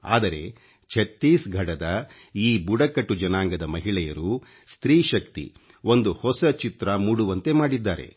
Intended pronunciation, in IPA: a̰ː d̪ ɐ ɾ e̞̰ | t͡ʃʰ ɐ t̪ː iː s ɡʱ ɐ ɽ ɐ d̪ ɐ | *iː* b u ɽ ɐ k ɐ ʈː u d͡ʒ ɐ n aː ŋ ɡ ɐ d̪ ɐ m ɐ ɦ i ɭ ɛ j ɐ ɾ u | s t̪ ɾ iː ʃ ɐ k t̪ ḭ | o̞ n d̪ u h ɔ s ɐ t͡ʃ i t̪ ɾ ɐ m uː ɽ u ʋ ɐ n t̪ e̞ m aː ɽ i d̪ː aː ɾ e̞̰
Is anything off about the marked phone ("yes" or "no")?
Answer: no